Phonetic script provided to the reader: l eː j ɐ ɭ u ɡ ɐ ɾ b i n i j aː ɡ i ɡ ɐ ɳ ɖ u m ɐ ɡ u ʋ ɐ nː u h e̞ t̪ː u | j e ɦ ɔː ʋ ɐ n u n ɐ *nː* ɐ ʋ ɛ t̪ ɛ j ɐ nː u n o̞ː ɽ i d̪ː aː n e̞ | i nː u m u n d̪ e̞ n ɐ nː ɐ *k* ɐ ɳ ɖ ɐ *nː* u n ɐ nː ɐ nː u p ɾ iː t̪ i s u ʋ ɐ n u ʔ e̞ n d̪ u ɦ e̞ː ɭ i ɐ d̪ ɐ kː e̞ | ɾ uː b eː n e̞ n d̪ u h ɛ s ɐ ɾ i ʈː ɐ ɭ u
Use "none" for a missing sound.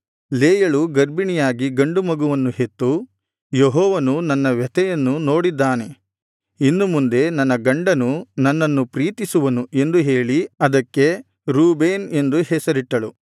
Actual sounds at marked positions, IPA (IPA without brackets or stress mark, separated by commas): nː, ɡ, n